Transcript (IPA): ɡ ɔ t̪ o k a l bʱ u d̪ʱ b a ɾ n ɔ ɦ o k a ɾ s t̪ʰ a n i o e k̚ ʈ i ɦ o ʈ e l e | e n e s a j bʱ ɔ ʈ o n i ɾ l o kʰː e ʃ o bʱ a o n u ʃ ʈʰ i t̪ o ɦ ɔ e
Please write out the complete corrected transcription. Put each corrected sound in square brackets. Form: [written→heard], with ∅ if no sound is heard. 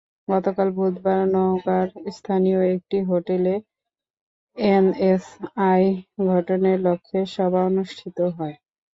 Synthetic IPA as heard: ɡ ɔ t̪ o k a l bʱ u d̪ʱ b a ɾ n ɔ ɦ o k a ɾ s t̪ʰ a n i o e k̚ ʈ i ɦ o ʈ e l e | e n e s a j [bʱ→ɡʱ] ɔ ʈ o n [i→e] ɾ l o kʰː e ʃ [o→ɔ] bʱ a o n u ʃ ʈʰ i t̪ o ɦ ɔ e